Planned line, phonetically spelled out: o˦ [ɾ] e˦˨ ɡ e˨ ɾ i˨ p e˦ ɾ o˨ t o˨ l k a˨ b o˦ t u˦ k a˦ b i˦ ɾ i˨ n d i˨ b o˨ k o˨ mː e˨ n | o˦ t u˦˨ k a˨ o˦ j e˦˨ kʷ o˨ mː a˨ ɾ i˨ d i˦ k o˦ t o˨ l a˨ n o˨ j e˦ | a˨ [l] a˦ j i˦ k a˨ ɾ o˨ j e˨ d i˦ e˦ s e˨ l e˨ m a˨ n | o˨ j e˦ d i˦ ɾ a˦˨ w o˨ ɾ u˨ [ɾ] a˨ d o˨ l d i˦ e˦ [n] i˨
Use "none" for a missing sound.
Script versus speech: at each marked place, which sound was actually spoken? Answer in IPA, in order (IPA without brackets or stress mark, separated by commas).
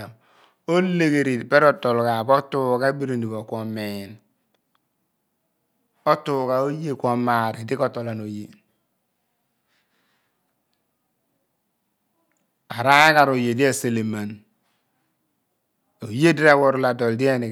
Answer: l, ɾ, l, n